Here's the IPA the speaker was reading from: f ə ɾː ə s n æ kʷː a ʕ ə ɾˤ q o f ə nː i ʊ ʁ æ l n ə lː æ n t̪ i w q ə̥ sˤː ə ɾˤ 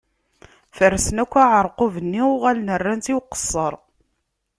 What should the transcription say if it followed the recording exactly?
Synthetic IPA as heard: f ə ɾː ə s n æ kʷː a ʕ ə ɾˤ q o v ə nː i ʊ ʁ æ l n ə rː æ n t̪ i w q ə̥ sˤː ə ɾˤ